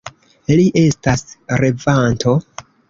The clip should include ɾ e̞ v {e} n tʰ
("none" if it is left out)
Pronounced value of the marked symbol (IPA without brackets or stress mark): a